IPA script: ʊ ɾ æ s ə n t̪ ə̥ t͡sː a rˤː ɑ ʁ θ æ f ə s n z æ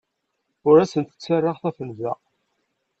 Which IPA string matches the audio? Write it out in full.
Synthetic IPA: ʊ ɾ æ s ə n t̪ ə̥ t͡sː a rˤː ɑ ʁ θ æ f ə n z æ

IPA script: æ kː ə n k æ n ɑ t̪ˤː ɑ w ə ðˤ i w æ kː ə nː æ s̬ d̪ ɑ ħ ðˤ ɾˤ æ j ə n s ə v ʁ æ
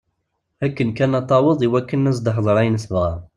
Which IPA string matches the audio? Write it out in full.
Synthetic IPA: æ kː ə n k æ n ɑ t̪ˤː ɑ w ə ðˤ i w æ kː ə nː æ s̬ d̪ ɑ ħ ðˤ ɾˤ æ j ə n s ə v ʁ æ

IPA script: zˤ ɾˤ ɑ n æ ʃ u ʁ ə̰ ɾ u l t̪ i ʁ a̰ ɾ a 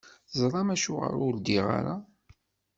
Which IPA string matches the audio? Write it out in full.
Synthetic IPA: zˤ ɾˤ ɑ m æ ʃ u ʁ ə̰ ɾ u l d̪ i ʁ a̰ ɾ a

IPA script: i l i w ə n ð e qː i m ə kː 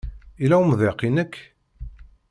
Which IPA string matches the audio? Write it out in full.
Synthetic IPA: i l æ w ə m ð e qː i n ə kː

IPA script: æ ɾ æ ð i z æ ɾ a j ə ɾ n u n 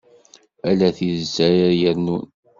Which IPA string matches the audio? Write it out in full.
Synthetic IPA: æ l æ θ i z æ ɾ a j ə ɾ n u n

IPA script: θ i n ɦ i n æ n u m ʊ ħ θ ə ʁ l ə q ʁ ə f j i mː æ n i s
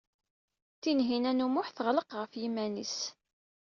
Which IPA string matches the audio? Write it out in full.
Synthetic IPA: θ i n ɦ i n æ n u m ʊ ħ θ ə ʁ l ə q ʁ ə f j i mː æ n i s

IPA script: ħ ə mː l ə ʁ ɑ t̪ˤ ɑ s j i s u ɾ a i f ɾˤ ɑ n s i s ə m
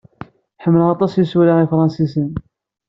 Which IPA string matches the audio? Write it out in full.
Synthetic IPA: ħ ə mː l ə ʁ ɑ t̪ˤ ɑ s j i s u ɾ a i f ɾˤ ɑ n s i s ə n

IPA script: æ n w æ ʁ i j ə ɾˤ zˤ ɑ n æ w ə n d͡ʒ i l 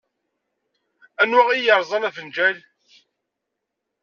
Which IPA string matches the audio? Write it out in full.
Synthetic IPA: æ n w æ ʁ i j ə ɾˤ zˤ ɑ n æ v ə n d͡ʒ æ l

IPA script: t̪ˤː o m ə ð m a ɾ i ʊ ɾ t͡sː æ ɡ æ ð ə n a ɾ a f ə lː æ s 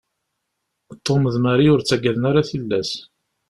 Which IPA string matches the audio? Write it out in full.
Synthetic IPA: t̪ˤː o m ə ð m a ɾ i ʊ ɾ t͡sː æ ɡ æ ð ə n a ɾ a θ ə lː æ s

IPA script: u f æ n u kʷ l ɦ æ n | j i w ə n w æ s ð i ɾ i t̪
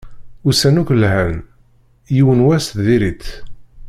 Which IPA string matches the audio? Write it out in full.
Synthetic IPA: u s æ n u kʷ l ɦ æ n | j i w ə n w æ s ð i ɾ i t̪

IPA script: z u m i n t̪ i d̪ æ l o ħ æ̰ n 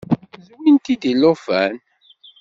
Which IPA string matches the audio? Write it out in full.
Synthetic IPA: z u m i n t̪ i d̪ i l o f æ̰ n

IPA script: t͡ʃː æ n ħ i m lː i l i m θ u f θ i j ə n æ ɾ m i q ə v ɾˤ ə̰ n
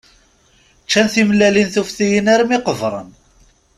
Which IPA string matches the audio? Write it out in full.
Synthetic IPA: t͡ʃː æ n θ i m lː æ l i n θ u f θ i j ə n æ ɾ m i q ə v ɾˤ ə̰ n

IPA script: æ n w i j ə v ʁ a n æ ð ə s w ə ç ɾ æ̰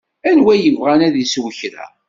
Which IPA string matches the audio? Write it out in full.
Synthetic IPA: æ n w æ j ə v ʁ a n æ ð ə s w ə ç ɾ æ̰

